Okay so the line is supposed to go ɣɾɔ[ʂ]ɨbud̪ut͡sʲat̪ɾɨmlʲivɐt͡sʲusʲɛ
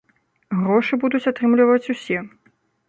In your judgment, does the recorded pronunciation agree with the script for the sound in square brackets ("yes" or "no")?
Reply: yes